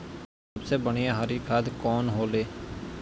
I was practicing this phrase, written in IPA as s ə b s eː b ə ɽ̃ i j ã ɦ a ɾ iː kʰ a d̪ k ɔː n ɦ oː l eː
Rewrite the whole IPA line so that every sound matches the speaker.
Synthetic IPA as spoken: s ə b s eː b ə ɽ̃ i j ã ɦ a ɾ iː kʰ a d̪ k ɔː n ɦ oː l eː